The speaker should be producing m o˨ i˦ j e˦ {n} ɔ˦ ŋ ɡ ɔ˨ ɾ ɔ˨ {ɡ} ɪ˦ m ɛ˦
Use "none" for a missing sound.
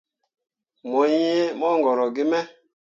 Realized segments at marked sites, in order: m, ɡ

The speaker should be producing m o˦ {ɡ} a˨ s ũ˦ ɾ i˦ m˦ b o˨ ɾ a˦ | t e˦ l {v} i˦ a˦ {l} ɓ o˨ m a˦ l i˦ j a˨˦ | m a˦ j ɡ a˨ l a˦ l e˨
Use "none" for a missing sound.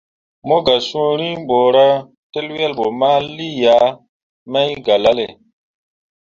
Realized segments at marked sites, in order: ɡ, w, l

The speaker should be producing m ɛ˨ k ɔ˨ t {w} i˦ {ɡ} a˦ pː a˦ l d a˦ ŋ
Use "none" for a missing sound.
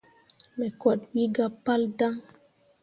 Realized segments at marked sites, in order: w, ɡ

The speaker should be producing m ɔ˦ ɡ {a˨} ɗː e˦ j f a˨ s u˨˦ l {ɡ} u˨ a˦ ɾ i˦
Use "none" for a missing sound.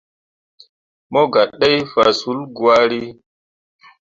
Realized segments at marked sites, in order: a˨, ɡ

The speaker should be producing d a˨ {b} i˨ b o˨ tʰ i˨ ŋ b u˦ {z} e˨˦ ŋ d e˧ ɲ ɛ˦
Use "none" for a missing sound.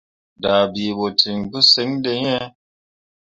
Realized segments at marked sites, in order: b, s

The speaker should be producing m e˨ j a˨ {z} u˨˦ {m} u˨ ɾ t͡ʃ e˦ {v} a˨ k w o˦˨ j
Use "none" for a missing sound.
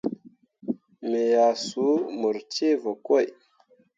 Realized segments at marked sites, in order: s, m, v

